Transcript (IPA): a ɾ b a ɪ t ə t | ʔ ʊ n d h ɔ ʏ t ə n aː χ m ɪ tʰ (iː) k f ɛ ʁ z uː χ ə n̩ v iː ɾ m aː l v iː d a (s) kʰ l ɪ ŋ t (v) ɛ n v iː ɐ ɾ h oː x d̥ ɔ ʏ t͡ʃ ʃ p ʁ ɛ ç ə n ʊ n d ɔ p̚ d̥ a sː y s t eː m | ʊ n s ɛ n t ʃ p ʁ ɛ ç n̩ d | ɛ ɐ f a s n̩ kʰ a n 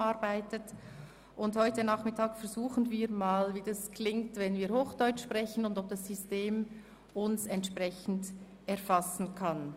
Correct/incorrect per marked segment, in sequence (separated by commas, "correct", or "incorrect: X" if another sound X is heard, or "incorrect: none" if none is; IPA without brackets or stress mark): incorrect: aː, correct, correct